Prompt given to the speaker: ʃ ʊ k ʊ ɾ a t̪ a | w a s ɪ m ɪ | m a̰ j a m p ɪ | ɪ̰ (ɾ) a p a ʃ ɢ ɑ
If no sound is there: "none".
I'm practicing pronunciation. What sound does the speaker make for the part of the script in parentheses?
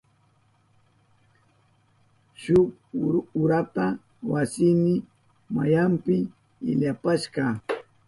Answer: ʎ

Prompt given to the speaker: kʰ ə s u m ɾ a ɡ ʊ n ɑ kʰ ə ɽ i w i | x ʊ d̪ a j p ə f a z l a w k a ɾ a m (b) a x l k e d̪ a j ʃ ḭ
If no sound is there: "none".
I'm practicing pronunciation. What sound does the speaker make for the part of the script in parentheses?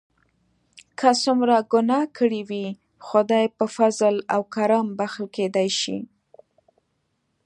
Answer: b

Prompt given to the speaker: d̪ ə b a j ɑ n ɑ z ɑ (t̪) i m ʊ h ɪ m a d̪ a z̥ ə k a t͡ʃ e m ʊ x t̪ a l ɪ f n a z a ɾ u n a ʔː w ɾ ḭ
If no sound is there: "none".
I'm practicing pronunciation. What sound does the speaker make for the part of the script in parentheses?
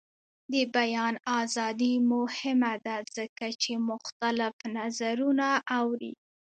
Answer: d̪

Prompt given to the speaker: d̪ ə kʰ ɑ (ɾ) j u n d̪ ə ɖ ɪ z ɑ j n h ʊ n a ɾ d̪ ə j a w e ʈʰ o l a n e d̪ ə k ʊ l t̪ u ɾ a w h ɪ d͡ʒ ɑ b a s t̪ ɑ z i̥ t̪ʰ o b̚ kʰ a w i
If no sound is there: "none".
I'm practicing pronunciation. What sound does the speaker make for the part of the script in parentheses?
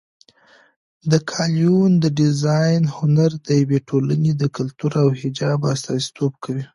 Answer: l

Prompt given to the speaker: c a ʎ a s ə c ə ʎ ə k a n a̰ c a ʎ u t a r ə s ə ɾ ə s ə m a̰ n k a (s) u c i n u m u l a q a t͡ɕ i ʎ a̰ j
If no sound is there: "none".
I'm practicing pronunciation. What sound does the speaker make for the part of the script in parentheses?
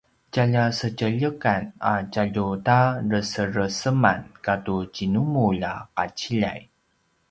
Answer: t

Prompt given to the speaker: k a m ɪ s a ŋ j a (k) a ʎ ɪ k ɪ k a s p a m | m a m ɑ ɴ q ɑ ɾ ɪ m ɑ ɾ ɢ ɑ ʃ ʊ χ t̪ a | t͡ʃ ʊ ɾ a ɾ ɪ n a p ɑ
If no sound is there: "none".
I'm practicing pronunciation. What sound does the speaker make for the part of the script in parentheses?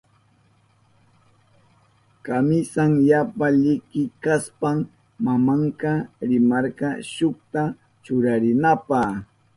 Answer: p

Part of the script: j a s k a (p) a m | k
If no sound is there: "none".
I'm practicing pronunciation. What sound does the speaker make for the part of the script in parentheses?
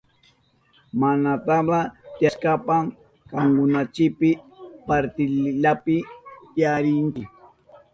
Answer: p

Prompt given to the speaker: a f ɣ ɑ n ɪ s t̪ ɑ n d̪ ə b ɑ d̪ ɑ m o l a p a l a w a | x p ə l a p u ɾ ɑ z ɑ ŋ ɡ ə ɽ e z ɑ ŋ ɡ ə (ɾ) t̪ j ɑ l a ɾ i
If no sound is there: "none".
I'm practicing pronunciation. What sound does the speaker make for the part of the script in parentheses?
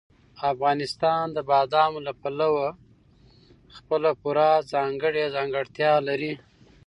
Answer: ɽ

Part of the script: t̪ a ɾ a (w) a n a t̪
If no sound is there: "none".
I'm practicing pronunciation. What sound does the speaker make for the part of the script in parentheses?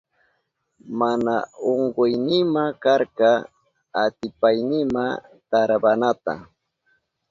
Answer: b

